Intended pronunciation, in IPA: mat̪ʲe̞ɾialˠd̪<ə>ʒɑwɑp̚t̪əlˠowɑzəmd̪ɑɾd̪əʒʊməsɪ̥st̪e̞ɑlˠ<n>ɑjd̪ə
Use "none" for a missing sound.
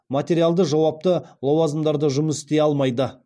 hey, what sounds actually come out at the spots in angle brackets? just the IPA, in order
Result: ə, m

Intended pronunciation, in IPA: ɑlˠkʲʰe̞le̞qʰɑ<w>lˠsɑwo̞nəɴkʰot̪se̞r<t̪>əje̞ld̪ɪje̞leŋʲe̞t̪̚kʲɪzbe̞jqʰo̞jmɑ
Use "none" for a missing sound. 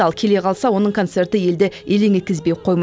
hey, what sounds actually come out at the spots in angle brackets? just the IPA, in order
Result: none, t̪

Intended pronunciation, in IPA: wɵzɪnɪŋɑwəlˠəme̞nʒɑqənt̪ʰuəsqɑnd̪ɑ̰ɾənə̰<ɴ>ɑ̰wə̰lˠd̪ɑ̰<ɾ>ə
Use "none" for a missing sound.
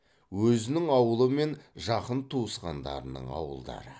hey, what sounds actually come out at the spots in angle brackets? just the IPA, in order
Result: ɴ, ɾ

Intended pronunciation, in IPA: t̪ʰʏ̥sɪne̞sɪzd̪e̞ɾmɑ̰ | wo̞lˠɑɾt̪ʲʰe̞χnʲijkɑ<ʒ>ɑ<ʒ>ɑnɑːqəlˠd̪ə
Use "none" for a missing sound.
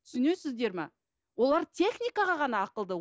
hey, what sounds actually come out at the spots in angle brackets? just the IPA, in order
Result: ʁ, ʁ

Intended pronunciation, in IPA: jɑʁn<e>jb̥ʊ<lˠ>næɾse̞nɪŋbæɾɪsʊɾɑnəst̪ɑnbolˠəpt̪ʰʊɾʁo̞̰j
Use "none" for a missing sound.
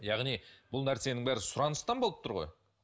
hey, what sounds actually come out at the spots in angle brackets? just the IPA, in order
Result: i, lˠ

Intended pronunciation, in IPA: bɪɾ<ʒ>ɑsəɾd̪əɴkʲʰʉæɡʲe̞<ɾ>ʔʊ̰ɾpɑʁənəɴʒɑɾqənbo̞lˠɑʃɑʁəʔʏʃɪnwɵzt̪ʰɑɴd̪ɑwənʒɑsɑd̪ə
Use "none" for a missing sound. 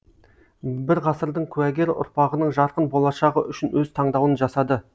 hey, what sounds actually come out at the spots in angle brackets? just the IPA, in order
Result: ʁ, ɾ

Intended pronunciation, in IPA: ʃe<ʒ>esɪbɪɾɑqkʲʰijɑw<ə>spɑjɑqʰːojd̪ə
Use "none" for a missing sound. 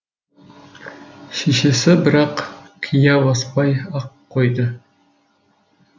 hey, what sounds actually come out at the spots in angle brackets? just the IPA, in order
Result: ʃ, ɑ

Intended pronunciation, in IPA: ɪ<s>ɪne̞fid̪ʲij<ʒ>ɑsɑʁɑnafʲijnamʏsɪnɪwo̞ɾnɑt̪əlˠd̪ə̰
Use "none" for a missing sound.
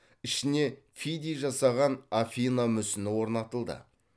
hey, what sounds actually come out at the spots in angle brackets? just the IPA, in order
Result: ʃ, ʒ

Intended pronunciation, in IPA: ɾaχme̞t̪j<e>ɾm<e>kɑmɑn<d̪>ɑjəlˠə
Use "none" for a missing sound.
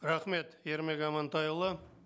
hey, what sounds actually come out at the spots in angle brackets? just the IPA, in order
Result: e, e, t̪

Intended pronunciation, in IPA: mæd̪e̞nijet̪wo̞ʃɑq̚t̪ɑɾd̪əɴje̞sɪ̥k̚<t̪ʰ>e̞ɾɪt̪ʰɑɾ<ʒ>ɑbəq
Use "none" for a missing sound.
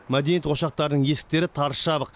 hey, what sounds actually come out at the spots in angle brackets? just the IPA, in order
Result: t̪, ʃ

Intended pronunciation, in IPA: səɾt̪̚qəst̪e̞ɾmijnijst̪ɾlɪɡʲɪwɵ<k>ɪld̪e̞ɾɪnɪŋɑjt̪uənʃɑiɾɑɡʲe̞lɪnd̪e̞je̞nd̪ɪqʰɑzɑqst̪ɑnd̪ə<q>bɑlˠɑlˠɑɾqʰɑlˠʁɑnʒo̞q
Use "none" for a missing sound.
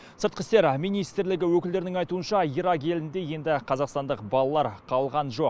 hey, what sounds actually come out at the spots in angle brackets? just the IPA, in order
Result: k, q

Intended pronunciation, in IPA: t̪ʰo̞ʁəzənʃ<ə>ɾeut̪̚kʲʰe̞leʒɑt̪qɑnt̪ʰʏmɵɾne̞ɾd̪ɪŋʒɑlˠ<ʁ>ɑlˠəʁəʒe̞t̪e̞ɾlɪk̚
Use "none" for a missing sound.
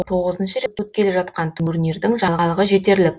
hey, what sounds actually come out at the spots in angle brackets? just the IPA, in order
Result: ə, ʁ

